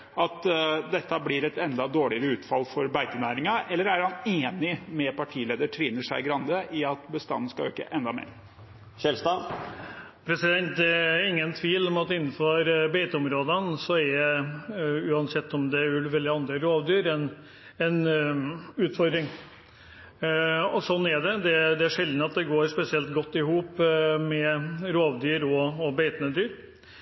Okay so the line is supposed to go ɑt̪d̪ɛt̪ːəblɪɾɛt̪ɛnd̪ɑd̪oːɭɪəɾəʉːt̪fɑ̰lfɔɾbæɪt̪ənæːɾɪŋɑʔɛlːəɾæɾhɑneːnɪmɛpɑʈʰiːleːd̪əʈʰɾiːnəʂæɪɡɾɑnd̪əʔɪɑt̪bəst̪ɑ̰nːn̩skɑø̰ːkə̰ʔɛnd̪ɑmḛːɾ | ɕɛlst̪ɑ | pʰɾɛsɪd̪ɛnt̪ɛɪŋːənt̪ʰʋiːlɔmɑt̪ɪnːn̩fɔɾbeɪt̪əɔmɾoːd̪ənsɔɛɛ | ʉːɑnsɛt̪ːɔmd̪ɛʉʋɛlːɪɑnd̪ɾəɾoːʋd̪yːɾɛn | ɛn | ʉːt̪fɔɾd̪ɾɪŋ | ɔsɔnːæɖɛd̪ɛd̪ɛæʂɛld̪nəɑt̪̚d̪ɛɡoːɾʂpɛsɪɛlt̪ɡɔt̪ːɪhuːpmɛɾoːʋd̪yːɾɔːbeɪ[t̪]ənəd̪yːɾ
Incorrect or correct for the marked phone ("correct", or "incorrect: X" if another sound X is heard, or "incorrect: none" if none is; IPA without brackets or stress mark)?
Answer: correct